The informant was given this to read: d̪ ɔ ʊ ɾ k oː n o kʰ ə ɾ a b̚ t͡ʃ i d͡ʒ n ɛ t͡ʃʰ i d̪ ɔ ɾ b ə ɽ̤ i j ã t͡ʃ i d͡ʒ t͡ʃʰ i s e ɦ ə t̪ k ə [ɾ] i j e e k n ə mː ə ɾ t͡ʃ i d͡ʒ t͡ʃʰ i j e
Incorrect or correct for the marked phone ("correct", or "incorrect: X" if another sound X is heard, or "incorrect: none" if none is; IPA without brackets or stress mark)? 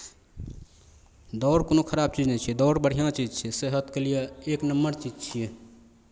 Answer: incorrect: l